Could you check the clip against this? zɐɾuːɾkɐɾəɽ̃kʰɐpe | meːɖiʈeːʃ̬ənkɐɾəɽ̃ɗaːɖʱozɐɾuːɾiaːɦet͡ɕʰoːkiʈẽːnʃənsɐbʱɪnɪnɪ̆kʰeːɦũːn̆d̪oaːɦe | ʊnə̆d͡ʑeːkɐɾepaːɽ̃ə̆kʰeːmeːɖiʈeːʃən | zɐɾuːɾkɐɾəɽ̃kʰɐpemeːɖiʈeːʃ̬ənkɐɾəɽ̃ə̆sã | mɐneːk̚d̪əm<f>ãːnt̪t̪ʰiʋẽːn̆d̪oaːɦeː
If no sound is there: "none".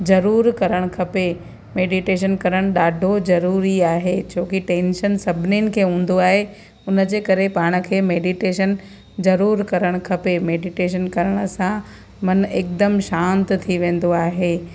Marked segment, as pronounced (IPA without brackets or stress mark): ʃ